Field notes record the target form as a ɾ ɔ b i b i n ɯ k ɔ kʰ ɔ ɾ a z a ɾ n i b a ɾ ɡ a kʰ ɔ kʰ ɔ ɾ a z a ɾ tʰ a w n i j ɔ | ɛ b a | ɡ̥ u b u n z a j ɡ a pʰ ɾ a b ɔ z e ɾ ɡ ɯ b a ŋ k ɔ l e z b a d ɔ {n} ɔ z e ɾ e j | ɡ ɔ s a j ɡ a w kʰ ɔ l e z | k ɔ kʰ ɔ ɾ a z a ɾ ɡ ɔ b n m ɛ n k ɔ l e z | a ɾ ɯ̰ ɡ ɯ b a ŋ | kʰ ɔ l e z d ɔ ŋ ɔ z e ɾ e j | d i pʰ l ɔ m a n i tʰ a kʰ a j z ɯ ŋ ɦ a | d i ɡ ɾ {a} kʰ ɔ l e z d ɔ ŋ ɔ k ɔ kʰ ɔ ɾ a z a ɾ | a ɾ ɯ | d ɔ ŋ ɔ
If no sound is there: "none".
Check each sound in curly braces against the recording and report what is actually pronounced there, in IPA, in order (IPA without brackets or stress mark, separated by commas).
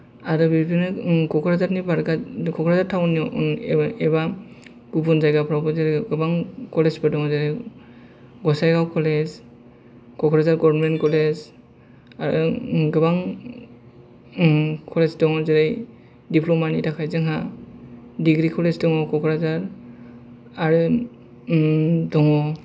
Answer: ŋ, i